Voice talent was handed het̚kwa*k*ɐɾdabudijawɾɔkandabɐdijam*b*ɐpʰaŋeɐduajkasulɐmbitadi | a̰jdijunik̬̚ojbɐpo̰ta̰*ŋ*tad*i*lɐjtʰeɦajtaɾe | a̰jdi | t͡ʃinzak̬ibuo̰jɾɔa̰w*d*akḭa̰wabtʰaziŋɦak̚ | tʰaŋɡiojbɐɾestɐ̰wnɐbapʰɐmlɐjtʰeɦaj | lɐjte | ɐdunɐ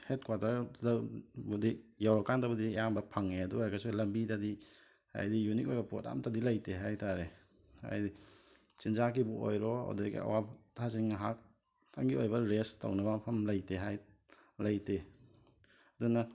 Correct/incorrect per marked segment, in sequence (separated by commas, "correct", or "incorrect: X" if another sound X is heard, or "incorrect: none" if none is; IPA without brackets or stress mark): incorrect: t, correct, incorrect: m, correct, correct